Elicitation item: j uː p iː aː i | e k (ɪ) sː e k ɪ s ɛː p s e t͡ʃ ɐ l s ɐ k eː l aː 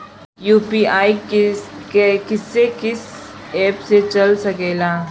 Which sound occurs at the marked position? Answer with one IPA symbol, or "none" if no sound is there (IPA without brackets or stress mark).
ɪ